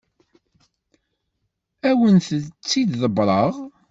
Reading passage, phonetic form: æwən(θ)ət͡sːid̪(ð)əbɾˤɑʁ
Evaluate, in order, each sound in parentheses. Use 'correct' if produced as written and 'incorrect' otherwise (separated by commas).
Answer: correct, correct